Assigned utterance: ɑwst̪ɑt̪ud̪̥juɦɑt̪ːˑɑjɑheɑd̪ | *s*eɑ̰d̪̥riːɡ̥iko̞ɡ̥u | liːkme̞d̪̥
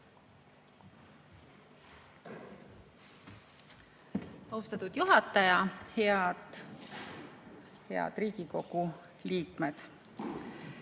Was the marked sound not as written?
yes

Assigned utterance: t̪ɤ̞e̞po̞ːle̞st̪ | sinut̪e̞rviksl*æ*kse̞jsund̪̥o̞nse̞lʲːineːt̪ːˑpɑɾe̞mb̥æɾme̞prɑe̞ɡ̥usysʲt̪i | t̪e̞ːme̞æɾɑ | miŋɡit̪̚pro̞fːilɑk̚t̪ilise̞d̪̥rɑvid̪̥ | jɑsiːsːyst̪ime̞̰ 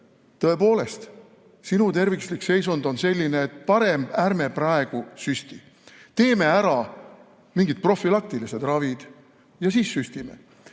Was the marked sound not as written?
yes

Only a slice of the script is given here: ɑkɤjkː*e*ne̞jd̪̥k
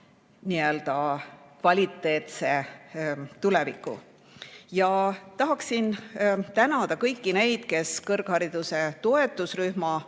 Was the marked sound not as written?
yes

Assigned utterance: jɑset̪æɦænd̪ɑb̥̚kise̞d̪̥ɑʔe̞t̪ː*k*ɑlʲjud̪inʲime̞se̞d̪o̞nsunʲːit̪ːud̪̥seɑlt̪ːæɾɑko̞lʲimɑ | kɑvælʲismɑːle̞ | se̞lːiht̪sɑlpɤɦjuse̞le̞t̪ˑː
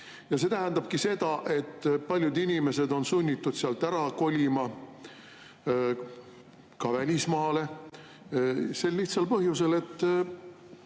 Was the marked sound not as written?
yes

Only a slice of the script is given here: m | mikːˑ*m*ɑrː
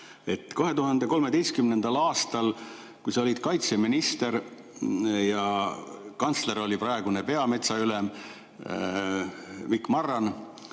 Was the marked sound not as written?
no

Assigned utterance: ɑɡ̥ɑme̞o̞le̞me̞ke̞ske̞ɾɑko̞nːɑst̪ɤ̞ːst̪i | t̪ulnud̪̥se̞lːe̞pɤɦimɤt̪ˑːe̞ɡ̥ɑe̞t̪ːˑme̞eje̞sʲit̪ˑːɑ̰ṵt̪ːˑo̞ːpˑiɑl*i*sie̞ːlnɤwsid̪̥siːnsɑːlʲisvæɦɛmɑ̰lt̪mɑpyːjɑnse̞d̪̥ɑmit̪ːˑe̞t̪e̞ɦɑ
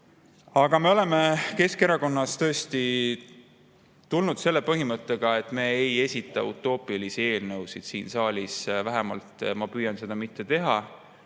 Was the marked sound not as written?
no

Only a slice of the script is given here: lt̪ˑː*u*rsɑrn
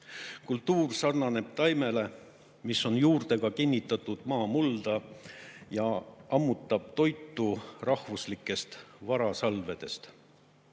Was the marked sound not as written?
yes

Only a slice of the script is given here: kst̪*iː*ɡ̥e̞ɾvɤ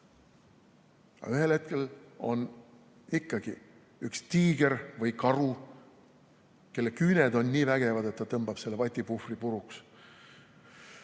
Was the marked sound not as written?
no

